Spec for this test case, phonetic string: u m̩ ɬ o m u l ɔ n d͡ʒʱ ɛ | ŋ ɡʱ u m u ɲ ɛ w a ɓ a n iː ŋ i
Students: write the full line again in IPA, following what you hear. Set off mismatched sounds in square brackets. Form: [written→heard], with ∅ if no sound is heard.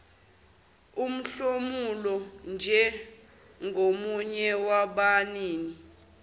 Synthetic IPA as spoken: u m̩ ɬ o m u l ɔ n d͡ʒʱ ɛ | ŋ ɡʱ [u→o] m u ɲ ɛ w a ɓ a n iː [ŋ→n] i